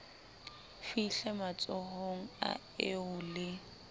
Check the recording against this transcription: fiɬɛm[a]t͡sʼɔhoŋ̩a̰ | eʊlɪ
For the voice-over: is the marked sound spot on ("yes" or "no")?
yes